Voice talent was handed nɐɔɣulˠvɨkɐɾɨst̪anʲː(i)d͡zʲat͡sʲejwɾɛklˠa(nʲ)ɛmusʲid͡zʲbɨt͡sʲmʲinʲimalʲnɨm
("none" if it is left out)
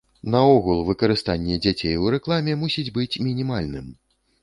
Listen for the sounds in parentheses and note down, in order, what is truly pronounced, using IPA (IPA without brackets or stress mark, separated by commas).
ɛ, mʲ